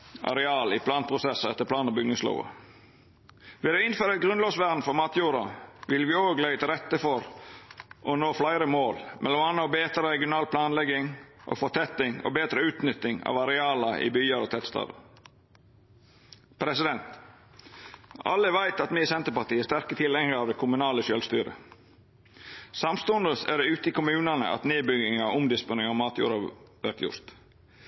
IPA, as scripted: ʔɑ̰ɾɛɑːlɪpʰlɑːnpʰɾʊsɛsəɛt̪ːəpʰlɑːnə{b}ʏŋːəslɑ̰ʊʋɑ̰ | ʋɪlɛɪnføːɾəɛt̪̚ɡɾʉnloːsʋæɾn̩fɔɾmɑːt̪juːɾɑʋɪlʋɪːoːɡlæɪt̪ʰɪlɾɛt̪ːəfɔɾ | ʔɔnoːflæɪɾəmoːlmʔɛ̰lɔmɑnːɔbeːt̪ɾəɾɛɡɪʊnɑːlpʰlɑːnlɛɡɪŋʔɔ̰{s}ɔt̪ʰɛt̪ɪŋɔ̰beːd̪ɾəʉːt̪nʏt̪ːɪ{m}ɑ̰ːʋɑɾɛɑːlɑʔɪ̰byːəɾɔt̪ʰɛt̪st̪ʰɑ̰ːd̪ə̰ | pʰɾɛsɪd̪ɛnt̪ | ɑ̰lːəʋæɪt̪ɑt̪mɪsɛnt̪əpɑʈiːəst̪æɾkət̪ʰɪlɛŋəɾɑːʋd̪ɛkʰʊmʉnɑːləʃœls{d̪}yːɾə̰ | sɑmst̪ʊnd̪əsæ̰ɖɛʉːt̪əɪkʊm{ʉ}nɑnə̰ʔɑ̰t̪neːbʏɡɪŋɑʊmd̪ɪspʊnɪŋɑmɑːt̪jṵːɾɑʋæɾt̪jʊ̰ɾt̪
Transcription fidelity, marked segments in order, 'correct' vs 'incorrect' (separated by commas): correct, incorrect, incorrect, incorrect, incorrect